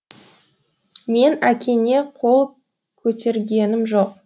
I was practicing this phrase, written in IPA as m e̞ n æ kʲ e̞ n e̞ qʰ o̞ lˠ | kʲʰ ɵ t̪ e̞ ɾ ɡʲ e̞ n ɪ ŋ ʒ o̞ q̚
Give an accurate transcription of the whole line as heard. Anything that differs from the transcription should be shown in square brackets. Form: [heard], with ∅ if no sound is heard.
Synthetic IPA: m e̞ n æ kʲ e̞ n e̞ qʰ o̞ lˠ | kʲʰ ɵ t̪ e̞ ɾ ɡʲ e̞ n ɪ [m] ʒ o̞ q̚